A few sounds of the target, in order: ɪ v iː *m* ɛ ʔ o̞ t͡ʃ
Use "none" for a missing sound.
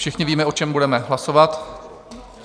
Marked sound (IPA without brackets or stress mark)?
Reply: m